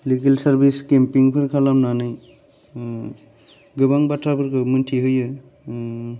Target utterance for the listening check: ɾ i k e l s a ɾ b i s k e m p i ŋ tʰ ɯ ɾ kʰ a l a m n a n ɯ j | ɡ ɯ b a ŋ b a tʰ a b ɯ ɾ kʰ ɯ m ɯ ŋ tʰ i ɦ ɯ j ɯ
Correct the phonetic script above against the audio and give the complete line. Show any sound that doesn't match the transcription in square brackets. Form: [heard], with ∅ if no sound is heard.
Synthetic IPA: [l] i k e l s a ɾ b i s k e m p i ŋ [pʰ] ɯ ɾ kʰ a l a m n a n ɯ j | ɡ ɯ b a ŋ b a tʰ a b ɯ ɾ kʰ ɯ m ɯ [n] tʰ i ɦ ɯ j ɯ